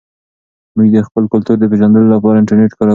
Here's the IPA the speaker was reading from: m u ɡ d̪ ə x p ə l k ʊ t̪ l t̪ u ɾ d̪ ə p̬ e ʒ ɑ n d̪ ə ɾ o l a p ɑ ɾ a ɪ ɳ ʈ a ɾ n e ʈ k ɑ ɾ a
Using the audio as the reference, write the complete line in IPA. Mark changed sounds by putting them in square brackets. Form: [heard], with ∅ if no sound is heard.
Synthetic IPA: m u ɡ d̪ ə x p ə l k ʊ [∅] l t̪ u ɾ d̪ ə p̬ e ʒ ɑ n d̪ ə [l] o l a p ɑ ɾ a ɪ ɳ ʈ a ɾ n e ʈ k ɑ ɾ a